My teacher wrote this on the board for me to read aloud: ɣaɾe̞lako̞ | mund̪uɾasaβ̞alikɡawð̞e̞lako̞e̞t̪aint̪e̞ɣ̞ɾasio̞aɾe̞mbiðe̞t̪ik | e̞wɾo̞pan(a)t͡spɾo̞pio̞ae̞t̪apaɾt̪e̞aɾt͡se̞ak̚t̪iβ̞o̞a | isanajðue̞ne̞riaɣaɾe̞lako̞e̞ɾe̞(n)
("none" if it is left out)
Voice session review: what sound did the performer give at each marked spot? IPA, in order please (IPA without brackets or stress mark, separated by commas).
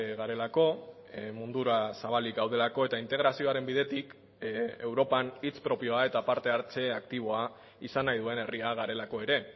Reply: i, none